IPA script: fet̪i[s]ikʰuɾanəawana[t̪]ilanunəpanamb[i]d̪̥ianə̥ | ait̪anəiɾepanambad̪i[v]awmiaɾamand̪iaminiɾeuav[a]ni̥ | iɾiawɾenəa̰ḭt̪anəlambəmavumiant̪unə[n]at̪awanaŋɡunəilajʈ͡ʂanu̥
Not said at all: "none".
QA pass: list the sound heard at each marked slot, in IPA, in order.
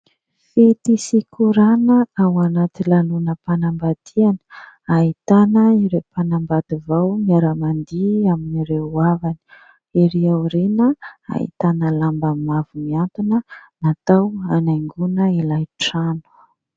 s, t̪, a, v, a, n

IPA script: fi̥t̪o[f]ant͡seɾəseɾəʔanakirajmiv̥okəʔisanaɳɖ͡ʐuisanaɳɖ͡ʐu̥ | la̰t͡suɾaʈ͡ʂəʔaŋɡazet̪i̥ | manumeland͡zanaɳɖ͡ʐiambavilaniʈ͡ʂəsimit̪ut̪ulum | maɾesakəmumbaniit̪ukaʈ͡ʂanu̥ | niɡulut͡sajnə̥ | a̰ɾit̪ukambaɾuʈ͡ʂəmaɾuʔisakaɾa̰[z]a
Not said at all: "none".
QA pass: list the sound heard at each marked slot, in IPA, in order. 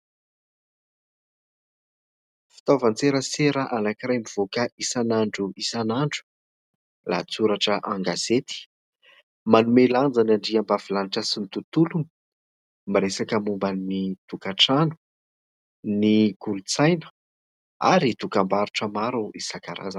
v, z

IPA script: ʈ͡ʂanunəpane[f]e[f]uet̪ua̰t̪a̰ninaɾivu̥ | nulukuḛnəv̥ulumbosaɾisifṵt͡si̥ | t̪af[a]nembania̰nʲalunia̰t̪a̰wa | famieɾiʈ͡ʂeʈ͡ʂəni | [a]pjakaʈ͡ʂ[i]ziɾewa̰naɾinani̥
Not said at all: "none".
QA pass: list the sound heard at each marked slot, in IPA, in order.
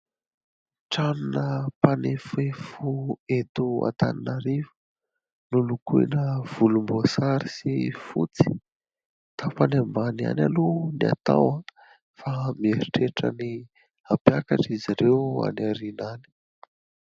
f, f, a, a, i

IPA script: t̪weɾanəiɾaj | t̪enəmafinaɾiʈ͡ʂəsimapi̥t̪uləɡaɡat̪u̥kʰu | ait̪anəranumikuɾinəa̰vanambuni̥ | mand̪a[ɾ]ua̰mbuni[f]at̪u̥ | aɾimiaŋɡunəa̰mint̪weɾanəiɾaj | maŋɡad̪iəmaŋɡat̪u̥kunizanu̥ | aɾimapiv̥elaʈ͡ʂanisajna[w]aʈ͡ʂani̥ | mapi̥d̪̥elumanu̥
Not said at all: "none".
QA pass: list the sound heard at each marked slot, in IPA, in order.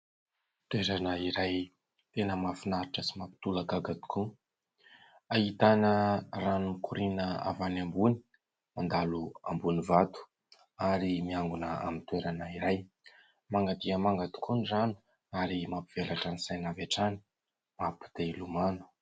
l, v, v

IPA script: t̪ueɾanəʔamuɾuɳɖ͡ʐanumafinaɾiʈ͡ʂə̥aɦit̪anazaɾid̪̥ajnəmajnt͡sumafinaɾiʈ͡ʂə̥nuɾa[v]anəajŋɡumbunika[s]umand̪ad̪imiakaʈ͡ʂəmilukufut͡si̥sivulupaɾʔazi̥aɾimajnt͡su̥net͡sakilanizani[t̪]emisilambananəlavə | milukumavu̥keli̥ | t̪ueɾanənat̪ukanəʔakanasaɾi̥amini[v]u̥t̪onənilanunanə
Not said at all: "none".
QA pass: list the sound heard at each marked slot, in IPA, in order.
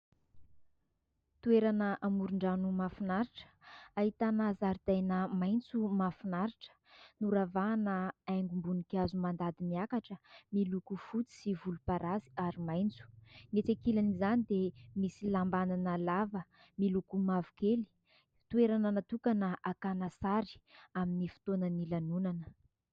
v, z, d̪, f

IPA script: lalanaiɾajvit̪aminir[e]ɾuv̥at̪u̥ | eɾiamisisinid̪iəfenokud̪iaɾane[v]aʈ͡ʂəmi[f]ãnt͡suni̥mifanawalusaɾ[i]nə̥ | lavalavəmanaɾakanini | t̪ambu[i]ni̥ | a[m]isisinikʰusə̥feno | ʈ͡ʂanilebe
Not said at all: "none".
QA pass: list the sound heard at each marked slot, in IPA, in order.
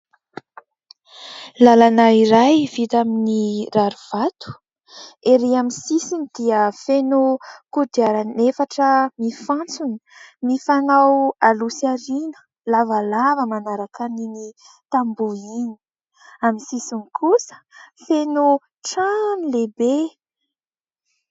a, f, f, i, i, m

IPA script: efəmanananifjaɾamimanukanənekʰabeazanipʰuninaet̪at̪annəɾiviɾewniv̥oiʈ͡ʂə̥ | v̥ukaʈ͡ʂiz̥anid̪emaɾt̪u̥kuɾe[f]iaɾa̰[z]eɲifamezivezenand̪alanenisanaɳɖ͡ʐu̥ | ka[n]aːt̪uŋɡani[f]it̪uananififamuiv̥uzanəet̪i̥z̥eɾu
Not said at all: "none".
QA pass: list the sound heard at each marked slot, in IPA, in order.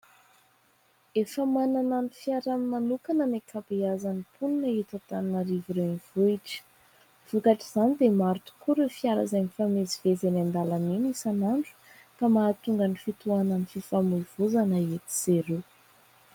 f, z, m, f

